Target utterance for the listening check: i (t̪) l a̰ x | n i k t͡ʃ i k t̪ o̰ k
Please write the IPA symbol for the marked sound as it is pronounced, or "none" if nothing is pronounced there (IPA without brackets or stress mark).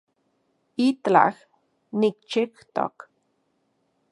t̪